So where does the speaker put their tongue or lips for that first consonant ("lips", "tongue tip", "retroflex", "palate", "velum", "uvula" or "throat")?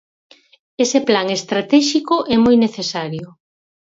tongue tip